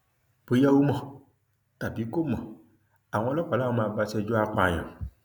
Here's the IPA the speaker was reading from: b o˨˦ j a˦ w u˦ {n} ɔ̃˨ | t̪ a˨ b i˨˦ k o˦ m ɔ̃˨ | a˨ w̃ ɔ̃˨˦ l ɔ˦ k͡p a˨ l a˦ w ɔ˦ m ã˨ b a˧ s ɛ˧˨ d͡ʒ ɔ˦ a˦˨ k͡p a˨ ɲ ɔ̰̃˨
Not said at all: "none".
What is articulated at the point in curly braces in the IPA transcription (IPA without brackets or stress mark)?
m